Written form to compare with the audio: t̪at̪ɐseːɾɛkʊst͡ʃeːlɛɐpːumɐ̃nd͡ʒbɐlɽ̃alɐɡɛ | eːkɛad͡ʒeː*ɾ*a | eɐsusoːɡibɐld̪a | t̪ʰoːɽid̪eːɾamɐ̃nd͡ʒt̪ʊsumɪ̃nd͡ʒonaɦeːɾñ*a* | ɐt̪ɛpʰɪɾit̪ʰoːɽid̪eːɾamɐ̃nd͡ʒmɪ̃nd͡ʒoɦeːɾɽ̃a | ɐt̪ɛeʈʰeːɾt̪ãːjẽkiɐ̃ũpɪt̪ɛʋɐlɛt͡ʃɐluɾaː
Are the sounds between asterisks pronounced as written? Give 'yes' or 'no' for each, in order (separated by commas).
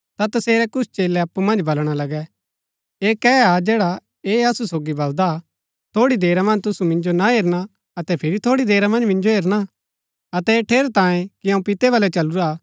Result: no, yes